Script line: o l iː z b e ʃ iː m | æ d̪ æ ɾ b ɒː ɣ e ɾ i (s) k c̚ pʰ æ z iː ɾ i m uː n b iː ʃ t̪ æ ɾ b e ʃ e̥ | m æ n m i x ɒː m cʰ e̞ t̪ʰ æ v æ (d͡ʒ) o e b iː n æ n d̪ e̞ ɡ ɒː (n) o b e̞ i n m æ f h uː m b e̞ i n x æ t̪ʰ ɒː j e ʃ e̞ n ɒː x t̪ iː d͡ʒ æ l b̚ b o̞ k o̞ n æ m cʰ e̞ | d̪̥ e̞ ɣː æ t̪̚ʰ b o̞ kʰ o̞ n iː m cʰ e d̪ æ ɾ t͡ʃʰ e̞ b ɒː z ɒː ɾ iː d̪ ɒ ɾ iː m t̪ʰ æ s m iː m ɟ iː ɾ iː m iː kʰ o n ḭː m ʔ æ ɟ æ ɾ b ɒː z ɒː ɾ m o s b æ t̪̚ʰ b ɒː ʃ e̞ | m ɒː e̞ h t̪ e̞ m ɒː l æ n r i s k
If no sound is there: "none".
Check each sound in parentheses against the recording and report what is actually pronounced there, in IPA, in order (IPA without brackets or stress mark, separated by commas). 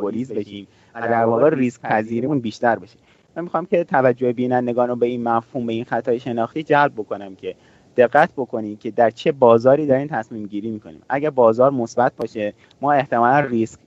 s, d͡ʒː, n